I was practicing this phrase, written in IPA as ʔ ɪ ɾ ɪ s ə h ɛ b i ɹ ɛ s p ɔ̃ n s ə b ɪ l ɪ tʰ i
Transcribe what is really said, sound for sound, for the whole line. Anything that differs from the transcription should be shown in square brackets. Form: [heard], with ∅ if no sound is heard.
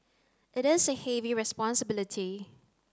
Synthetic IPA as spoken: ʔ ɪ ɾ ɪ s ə h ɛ [v] i ɹ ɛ s p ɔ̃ n s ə b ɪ l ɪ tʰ i